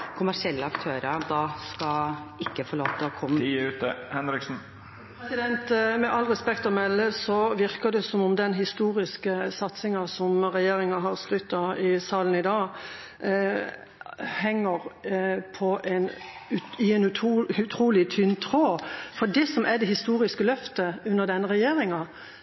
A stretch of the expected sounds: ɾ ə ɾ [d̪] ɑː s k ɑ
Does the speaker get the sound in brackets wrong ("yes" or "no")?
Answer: no